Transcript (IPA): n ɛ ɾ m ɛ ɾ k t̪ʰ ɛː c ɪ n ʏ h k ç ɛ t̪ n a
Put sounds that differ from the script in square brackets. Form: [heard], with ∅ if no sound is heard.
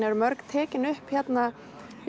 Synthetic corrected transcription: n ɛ ɾ m [œ] ɾ k t̪ʰ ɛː c ɪ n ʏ h [p] ç ɛ t̪ n a